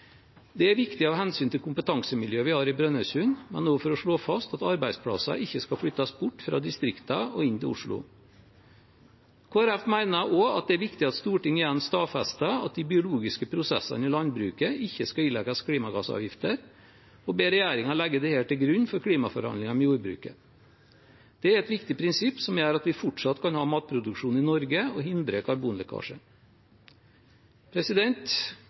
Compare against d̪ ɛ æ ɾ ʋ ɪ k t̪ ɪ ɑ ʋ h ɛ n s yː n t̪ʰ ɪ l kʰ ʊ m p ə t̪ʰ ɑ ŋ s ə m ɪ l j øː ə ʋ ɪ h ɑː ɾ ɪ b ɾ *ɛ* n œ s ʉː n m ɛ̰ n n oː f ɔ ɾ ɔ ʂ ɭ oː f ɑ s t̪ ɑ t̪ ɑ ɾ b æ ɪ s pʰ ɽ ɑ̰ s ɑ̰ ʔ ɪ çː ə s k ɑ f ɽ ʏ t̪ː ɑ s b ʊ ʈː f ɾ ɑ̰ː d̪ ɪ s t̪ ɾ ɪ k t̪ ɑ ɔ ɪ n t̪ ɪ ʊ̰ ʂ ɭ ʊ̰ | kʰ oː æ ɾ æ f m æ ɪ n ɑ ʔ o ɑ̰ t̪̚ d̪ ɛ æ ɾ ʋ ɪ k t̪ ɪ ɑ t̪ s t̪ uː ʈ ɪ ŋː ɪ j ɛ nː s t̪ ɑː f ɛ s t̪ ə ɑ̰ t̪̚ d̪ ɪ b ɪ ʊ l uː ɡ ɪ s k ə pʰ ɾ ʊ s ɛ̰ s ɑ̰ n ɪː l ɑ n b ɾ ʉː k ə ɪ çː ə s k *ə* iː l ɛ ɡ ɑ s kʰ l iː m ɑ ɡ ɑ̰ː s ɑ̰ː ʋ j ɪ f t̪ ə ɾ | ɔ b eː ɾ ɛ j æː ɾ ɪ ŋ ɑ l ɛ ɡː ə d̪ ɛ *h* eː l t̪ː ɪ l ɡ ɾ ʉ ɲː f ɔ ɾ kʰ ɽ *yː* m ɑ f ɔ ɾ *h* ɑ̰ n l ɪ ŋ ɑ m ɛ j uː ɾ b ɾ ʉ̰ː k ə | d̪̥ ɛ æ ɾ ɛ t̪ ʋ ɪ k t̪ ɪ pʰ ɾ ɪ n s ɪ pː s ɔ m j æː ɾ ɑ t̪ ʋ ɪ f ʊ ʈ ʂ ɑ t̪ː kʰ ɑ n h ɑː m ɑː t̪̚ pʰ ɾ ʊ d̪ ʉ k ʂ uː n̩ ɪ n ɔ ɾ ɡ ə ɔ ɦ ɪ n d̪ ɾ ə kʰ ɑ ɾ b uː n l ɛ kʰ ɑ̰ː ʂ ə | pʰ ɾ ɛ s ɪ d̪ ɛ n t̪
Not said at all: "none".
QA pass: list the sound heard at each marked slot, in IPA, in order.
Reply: œ, ɑ, h, iː, h

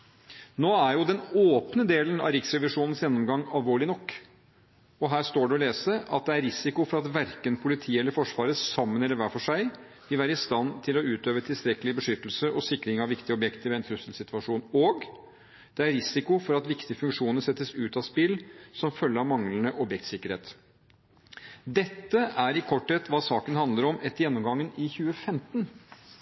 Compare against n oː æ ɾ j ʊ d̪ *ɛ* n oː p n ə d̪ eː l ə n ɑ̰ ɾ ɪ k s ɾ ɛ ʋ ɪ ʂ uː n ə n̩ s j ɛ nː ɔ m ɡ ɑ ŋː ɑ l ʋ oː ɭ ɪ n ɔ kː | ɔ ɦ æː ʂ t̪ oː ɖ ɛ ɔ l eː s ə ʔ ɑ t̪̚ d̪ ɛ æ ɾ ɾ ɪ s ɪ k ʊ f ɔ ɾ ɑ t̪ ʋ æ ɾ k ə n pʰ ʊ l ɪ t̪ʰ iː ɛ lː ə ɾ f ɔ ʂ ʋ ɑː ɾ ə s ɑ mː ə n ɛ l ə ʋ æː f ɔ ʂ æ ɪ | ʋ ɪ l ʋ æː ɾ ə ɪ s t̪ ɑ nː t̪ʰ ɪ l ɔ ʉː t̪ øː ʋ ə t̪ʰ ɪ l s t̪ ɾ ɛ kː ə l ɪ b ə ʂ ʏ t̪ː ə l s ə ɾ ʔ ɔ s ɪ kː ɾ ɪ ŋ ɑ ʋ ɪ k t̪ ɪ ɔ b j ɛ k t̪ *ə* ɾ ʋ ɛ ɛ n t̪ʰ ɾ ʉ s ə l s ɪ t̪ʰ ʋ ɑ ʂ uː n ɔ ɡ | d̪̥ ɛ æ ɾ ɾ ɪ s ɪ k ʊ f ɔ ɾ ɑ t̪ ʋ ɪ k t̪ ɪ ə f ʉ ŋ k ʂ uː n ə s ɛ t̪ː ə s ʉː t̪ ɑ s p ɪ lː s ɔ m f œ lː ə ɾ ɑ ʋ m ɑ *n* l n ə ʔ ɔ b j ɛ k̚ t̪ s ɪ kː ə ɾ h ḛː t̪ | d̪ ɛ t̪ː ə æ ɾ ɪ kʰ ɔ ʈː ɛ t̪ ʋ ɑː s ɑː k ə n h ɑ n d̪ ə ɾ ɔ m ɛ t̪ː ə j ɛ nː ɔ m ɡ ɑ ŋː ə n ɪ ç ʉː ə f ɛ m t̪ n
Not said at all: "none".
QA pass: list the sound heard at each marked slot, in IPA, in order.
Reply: ɛ, ə, ŋ

